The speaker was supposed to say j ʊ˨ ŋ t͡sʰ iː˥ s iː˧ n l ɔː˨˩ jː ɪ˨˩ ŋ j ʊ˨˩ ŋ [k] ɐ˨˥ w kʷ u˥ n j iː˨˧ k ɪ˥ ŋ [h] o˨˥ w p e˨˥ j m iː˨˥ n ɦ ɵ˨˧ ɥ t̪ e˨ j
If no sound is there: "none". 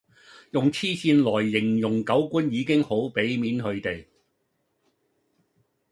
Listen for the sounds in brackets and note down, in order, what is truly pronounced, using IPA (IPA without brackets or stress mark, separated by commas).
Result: k, h